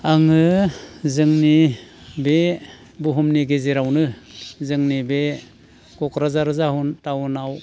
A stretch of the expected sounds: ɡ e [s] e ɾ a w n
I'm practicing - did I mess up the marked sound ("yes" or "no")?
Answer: yes